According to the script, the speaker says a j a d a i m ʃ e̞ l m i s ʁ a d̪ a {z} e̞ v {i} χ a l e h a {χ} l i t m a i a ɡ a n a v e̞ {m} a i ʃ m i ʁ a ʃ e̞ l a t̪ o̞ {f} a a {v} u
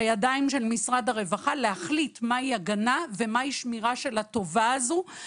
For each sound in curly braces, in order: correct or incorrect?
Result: incorrect: ʁ, incorrect: a, correct, correct, incorrect: v, incorrect: z

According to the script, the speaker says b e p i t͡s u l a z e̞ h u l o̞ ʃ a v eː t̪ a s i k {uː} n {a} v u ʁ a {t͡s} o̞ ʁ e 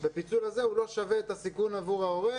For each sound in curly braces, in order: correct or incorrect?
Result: incorrect: u, correct, incorrect: none

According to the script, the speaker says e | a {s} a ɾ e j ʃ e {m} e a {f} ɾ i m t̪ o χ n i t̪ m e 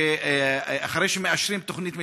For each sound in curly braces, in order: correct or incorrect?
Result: incorrect: χ, correct, incorrect: ʃ

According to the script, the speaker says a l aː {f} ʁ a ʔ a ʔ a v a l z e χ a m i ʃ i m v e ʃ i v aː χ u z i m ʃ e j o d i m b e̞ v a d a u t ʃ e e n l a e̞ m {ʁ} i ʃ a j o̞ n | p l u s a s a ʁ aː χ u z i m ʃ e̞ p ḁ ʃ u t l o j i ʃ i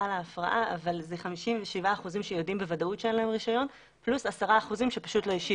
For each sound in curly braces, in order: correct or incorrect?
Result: correct, correct

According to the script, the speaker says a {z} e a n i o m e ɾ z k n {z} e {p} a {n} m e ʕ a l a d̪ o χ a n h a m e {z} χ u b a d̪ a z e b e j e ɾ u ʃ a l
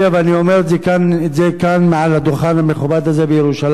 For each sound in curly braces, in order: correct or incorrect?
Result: incorrect: v, correct, incorrect: k, correct, incorrect: none

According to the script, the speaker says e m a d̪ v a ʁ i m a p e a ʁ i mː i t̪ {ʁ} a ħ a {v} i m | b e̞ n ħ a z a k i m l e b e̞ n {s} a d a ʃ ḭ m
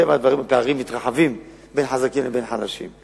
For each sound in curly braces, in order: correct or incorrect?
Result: correct, correct, incorrect: ħ

